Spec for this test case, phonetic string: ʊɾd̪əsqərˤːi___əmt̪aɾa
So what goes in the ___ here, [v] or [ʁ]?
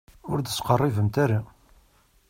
v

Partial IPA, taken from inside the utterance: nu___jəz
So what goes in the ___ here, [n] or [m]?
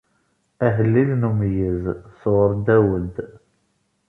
m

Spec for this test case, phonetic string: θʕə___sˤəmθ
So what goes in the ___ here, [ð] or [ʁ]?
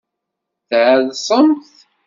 ð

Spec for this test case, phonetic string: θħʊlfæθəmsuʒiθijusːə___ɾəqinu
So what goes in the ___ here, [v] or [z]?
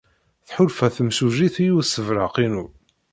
v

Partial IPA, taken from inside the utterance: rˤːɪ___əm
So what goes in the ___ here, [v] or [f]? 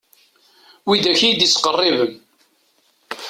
v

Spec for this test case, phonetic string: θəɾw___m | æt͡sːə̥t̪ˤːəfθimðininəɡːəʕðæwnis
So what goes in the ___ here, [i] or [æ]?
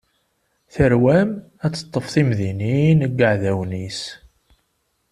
æ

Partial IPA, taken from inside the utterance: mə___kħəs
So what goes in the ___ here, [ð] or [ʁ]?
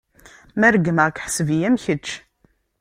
ʁ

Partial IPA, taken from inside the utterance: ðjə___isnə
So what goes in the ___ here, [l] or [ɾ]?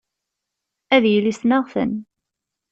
l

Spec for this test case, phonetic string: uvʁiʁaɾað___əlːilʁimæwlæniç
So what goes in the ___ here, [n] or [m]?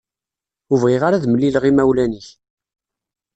m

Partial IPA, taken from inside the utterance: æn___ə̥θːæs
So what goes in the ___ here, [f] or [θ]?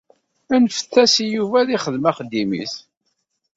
f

